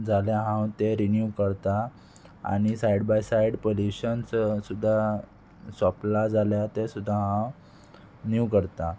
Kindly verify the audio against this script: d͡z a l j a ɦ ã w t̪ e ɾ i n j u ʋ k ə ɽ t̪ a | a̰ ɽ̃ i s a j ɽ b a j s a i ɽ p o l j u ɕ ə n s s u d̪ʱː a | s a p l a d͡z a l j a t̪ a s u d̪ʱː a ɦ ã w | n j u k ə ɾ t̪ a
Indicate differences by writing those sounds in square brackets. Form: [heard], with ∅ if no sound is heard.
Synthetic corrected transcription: d͡z a l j a ɦ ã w t̪ e ɾ i n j u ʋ k ə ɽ t̪ a | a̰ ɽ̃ i s a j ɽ b a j s a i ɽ p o l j u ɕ ə n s s u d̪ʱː a | s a p l a d͡z a l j a t̪ [e] s u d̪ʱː a ɦ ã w | n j u k ə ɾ t̪ a